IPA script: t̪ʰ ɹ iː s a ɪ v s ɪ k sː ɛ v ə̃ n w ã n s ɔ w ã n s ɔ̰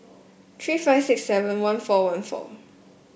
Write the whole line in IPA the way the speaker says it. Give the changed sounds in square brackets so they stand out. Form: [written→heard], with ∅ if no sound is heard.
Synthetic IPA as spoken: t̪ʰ ɹ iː [s→f] a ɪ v s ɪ k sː ɛ v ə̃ n w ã n [s→f] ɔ w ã n [s→f] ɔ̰